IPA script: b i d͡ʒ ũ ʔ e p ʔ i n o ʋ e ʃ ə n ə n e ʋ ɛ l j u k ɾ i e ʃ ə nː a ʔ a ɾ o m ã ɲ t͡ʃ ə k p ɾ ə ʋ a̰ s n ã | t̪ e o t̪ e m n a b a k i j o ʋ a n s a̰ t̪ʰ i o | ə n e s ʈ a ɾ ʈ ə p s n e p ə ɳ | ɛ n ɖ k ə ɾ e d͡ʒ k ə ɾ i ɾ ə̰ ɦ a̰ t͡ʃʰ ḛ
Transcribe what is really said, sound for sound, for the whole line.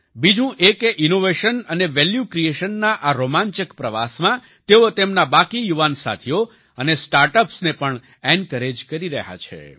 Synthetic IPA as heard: b i d͡ʒ ũ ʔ e k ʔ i n o ʋ e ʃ ə n ə n e ʋ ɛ l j u k ɾ i e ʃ ə nː a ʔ a ɾ o m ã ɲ t͡ʃ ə k p ɾ ə ʋ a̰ s m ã | t̪ e o t̪ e m n a b a k i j u ʋ a n s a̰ t̪ʰ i o | ə n e s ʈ a ɾ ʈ ə p s n e p ə ɳ | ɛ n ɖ k ə ɾ e d͡ʒ k ə ɾ i ɾ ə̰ ɦ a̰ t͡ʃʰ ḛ